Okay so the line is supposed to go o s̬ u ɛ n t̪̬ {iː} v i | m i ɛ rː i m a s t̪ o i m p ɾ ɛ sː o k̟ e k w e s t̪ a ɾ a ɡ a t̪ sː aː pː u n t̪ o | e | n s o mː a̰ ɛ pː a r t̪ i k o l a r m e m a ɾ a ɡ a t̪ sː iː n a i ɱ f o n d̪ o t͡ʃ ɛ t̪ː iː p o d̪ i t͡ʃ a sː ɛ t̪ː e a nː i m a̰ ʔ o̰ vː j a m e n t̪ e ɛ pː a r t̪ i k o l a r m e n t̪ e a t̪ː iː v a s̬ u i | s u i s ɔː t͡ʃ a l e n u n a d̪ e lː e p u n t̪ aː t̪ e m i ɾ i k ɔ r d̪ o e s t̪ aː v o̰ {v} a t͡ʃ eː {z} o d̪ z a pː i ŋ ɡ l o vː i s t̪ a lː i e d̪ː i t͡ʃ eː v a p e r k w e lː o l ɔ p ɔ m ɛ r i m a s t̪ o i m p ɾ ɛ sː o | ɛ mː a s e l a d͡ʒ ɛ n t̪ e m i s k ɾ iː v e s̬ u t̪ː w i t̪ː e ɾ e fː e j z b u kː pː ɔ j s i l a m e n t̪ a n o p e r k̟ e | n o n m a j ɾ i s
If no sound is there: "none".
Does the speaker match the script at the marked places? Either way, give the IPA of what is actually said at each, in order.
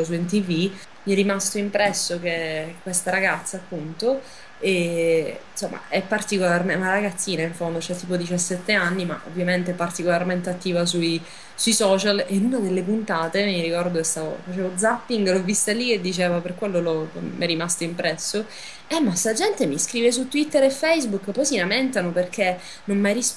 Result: i, f, v

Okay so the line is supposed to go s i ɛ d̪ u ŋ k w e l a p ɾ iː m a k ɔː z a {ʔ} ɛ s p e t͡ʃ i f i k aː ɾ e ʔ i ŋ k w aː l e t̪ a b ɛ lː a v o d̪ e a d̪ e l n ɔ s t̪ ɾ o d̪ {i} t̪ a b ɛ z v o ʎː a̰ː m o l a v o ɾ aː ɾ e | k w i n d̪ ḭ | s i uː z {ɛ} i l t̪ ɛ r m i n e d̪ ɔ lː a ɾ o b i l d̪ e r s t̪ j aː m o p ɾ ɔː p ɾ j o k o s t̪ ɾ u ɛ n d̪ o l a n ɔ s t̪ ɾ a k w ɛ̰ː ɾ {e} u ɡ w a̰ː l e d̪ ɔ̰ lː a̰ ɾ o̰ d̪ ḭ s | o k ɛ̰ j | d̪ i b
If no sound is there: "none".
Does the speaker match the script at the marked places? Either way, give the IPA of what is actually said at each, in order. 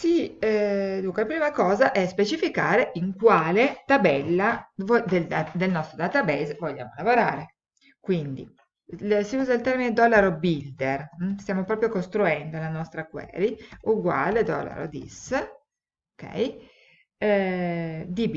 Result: ʔ, a, a, i

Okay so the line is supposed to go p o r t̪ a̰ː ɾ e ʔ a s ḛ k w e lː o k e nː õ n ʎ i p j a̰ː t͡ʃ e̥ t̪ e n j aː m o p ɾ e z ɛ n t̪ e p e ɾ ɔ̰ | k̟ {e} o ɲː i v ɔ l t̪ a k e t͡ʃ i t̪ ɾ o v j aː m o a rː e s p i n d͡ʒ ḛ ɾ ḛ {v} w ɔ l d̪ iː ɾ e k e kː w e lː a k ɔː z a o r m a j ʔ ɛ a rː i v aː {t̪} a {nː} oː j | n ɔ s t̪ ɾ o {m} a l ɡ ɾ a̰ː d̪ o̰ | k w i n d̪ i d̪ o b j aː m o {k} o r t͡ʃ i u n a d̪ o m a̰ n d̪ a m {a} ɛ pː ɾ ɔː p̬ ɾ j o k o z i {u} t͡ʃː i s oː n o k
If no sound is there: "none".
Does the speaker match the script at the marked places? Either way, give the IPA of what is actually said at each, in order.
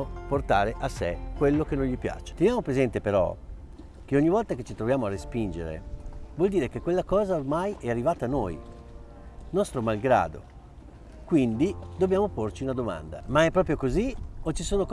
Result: e, v, t̪, n, m, p, a, o

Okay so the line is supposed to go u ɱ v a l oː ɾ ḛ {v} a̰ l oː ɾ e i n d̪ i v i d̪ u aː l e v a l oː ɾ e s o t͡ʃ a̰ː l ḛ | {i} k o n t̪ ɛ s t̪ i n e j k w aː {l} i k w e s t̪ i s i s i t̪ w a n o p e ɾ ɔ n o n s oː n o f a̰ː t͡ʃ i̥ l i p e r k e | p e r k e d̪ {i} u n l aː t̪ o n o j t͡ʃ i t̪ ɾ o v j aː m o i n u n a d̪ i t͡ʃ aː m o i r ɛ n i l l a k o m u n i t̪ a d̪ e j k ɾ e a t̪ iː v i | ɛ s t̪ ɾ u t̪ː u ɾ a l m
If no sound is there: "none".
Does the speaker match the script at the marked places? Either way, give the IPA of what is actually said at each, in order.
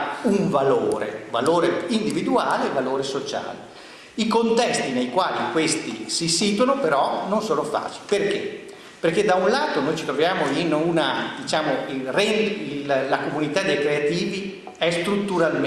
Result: v, i, l, a

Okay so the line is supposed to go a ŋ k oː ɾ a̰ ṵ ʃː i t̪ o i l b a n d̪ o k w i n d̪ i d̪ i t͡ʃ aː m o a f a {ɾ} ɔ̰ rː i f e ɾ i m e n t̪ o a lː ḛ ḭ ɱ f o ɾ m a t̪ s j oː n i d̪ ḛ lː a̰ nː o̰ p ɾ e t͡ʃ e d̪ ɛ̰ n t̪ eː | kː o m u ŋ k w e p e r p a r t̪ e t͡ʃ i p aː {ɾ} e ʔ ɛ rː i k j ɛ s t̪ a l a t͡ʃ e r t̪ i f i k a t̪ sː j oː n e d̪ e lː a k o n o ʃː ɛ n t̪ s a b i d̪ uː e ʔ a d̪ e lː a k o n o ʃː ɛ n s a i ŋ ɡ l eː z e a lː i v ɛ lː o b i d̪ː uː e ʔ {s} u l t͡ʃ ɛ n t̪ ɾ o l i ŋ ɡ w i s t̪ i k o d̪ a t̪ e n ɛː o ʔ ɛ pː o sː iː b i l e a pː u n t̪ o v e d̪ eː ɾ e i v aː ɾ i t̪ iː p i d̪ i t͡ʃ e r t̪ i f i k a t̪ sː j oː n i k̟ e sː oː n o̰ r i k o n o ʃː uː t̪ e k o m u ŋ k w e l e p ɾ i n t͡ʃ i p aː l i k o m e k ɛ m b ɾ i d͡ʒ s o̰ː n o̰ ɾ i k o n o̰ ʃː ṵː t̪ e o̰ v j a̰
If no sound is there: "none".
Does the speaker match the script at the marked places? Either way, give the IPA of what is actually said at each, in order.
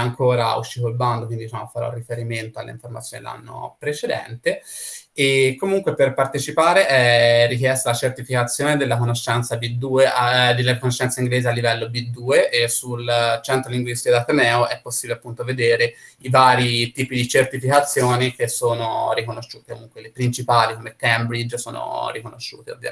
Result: ɾ, ɾ, s

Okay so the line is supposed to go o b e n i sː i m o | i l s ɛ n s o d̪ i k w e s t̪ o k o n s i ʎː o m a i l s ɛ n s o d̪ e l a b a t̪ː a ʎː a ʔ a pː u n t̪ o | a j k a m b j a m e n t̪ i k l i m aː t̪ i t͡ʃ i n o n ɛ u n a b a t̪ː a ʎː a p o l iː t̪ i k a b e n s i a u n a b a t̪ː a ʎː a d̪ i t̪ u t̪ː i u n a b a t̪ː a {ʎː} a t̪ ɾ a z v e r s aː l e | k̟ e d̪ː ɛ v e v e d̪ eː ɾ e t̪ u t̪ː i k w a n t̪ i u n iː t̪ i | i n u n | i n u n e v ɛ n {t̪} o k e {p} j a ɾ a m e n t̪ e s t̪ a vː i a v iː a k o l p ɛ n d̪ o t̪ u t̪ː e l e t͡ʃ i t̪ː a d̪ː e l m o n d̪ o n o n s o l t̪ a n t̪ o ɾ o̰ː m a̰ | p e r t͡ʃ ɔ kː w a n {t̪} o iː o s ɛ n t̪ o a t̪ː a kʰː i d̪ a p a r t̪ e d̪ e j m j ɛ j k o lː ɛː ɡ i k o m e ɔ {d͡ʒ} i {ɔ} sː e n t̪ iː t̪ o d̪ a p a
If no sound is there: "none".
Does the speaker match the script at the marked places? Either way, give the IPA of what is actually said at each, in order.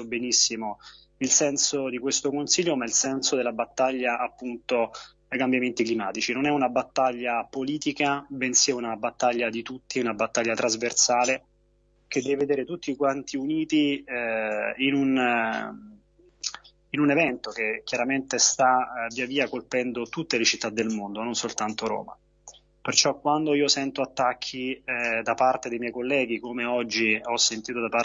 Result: ʎː, t̪, k, d̪, d͡ʒː, ɔ

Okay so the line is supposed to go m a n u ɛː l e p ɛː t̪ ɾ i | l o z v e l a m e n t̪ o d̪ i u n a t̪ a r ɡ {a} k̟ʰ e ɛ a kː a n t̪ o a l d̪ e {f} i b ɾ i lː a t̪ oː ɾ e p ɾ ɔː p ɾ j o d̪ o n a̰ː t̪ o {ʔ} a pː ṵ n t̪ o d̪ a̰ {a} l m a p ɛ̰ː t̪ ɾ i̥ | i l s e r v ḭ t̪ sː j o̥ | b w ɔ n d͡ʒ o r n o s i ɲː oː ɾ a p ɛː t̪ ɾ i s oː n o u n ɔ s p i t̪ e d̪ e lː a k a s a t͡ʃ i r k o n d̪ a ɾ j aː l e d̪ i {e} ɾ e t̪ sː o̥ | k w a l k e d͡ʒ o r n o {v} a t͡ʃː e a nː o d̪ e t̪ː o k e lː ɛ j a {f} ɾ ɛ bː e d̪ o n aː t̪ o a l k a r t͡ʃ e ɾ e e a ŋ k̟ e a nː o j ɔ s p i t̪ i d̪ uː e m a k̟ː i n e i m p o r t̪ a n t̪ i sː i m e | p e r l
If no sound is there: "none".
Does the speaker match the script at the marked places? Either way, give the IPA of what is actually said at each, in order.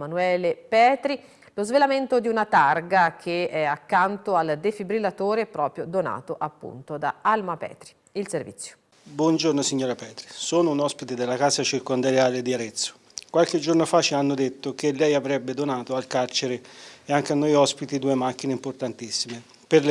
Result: a, f, ʔ, a, a, f, v

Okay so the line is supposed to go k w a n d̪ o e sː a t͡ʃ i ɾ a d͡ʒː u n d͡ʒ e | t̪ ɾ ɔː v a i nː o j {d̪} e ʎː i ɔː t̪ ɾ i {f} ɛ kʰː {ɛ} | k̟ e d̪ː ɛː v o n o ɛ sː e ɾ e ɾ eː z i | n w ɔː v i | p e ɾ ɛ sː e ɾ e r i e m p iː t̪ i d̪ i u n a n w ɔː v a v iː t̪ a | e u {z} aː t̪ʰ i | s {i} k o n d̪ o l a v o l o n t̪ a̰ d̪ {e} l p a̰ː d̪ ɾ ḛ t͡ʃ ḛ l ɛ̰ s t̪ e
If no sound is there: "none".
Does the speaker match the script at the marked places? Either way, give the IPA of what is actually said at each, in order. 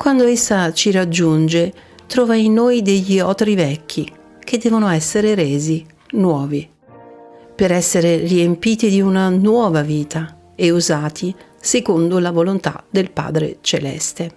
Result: d̪, v, i, z, e, e

